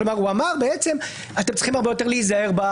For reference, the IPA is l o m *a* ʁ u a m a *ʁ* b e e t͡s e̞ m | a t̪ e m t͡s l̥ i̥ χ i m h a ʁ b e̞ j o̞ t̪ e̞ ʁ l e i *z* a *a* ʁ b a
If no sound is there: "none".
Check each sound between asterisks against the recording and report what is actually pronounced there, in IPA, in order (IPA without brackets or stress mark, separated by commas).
a, ʁ, z, e